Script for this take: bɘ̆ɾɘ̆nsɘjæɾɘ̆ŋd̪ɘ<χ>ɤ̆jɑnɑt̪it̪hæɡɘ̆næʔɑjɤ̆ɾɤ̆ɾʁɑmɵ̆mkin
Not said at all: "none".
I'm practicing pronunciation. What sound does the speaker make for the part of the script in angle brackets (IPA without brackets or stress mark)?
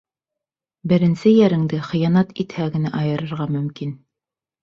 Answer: χ